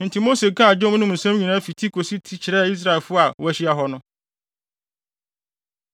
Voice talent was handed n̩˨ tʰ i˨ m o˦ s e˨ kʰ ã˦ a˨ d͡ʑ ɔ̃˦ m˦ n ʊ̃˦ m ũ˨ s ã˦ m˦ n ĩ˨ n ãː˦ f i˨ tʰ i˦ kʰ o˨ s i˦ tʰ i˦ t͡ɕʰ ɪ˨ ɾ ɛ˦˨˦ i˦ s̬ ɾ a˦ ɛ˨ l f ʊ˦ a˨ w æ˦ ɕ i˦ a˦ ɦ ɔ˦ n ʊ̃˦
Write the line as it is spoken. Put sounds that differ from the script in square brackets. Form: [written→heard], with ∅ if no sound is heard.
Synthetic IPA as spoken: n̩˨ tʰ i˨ m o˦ s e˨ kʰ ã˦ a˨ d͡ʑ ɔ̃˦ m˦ n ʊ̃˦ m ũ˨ s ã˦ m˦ [n→ɲ] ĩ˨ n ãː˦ f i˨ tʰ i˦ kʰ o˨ s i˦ tʰ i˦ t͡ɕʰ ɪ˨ ɾ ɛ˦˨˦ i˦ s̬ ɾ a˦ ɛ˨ l f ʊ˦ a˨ w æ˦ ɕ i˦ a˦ ɦ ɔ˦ n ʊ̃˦

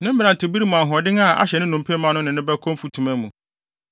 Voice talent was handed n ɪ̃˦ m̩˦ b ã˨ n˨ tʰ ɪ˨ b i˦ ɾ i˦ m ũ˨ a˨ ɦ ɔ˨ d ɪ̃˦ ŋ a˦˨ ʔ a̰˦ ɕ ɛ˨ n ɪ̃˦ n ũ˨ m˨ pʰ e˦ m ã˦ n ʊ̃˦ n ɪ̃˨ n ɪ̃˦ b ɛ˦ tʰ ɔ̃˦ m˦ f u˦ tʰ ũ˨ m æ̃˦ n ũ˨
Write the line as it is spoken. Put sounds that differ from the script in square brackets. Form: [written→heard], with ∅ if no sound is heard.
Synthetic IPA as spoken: n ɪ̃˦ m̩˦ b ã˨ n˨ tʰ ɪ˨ b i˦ ɾ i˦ m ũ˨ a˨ ɦ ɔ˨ d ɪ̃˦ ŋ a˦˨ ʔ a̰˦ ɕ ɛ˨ n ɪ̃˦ n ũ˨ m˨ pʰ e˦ m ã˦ n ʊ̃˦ n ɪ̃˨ n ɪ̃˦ b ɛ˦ [tʰ→kʰ] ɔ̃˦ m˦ f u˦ tʰ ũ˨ m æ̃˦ [n→m] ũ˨

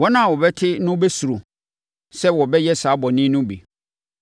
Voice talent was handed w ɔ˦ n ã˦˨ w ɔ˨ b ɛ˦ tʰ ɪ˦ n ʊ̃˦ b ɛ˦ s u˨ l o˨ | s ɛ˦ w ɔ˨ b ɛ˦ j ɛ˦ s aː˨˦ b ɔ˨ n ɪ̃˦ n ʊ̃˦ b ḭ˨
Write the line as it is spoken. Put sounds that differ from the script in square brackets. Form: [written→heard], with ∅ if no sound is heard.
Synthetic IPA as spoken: w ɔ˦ n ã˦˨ w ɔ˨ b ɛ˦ tʰ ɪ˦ n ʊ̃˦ b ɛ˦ s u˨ [l→ɾ] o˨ | s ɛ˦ w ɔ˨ b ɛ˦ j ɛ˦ s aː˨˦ b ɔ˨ n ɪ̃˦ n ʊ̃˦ b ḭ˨

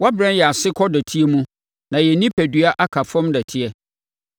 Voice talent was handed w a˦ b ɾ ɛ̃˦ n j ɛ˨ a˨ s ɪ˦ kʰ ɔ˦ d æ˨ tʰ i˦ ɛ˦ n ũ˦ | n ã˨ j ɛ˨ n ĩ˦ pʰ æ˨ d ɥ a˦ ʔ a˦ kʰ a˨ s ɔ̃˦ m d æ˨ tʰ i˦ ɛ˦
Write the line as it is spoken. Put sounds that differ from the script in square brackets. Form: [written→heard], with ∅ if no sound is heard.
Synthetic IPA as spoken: w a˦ b ɾ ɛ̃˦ n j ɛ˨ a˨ s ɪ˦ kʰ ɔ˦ d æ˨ tʰ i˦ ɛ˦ [n→m] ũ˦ | n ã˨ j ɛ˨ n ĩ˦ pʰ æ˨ d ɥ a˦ ʔ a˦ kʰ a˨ [s→f] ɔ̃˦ m d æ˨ tʰ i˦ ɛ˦

